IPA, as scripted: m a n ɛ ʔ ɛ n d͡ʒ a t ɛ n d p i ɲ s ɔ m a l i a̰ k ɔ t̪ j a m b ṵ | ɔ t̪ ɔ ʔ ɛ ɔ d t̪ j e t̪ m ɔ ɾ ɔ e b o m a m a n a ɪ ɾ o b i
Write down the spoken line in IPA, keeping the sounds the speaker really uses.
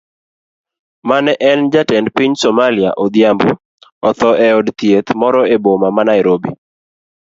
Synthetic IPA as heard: m a n ɛ ʔ ɛ n d͡ʒ a t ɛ n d p i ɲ s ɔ m a l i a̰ ʔ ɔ d̪ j a m b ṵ | ɔ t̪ ɔ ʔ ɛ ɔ d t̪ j e t̪ m ɔ ɾ ɔ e b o m a m a n a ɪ ɾ o b i